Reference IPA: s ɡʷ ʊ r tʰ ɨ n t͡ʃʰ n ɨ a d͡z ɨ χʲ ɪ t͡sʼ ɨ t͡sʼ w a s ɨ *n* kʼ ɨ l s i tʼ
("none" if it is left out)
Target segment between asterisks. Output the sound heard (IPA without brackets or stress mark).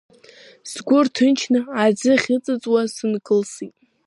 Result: n